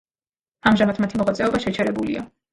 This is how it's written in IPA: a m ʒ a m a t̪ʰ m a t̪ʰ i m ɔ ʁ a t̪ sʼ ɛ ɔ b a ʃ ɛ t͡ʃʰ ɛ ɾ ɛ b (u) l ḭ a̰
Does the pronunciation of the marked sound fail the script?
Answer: no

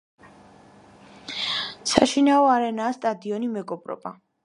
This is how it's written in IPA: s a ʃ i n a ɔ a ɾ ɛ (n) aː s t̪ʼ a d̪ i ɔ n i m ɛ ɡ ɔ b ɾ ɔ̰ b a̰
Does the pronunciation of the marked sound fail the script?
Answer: no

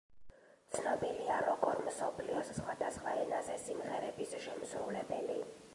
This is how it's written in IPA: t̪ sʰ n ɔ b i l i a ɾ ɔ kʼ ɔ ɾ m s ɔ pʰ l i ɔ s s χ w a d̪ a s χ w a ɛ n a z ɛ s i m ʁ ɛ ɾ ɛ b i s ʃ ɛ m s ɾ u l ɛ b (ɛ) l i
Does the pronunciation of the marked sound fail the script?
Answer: no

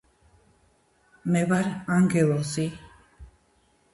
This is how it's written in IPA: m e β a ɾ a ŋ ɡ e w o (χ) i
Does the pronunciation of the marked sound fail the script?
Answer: yes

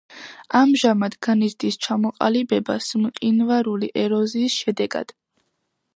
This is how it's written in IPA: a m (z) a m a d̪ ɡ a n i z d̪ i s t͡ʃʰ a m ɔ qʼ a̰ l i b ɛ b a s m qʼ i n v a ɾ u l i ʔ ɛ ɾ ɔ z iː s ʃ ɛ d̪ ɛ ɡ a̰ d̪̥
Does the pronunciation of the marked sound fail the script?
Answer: yes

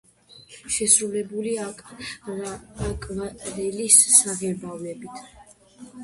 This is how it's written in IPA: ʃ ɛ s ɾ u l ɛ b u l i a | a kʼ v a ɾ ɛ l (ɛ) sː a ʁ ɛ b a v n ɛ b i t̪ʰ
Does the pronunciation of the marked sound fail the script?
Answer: yes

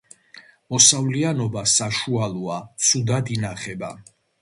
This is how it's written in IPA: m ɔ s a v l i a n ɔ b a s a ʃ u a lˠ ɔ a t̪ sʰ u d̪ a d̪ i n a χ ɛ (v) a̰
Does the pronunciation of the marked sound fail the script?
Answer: yes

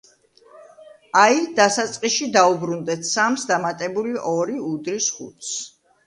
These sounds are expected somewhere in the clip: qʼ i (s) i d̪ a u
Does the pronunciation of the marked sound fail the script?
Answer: yes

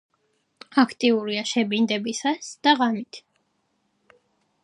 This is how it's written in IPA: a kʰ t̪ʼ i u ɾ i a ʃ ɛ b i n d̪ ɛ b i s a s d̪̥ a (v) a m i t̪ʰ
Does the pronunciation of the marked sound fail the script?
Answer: yes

